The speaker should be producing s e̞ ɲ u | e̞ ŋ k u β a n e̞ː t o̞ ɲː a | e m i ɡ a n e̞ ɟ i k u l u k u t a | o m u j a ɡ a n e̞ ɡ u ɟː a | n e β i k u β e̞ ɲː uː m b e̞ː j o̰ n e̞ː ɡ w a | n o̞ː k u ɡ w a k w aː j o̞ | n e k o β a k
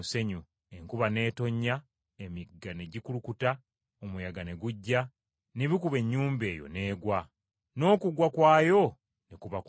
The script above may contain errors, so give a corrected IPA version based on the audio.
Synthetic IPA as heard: s e̞ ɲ u | e̞ ŋ k u β a n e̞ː t o̞ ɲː a | e m i ɡ a n e̞ ɟ i k u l u k u t a | o m u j a ɡ a n e̞ ɡ u ɟː a | n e β i k u β e̞ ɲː uː m b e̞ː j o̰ n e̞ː ɡ w a | n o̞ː k u ɡ w a k w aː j o̞ | n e k u β a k